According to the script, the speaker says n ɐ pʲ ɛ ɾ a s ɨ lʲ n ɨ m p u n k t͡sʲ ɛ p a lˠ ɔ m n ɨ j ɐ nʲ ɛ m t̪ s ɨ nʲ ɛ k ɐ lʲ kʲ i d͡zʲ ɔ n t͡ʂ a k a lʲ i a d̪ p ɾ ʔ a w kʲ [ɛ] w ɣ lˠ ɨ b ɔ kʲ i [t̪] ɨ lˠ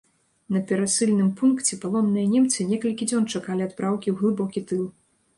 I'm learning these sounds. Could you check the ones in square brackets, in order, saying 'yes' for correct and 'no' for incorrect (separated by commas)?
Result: no, yes